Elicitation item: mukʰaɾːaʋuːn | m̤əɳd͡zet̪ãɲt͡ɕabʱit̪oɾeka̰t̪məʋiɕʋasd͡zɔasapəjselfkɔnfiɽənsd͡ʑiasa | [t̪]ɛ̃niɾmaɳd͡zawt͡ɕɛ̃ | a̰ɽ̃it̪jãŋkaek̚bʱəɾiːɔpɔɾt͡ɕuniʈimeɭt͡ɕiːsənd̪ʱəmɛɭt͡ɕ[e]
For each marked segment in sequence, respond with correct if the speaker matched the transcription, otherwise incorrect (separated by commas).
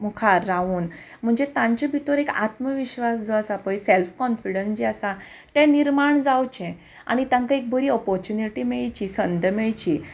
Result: correct, incorrect